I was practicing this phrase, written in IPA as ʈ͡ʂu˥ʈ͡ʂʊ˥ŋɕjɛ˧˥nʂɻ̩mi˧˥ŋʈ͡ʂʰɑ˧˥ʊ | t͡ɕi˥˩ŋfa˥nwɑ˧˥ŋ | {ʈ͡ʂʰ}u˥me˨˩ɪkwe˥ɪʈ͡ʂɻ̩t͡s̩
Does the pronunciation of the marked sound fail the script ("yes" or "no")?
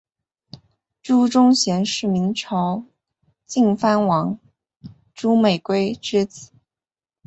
yes